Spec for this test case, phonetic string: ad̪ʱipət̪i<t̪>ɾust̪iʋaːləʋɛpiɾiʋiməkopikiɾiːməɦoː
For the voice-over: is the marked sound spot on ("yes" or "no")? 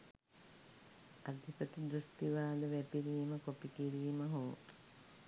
no